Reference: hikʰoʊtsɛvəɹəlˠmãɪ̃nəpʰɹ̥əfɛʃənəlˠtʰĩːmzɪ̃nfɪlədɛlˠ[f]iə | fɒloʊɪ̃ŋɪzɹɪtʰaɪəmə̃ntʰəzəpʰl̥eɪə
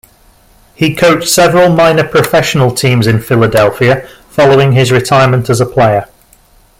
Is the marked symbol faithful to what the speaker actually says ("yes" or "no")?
yes